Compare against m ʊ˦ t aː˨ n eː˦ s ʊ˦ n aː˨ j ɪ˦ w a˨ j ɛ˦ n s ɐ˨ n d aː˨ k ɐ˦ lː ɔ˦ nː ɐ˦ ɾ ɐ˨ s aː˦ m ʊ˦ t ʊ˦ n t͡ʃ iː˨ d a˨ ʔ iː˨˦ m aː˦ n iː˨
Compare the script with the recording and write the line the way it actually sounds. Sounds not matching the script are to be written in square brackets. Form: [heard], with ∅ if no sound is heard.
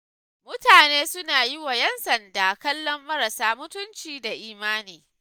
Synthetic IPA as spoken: m ʊ˦ t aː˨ n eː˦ s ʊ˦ n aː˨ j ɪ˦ w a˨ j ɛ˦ n s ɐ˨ n d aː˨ k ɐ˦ lː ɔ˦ [mː] ɐ˦ ɾ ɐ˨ s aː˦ m ʊ˦ t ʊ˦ n t͡ʃ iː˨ d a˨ ʔ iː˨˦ m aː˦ n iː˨